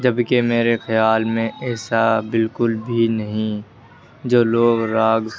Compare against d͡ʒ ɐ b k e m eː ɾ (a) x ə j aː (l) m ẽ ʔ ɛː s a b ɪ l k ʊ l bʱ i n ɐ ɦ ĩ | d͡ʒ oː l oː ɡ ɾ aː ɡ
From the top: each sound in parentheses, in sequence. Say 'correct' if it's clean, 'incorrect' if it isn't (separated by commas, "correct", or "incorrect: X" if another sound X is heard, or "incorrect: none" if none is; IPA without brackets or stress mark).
incorrect: e, correct